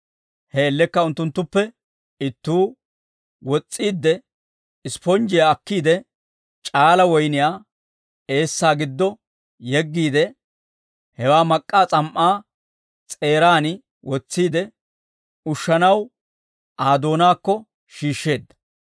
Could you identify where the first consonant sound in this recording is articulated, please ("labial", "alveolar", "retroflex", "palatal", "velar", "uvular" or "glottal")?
glottal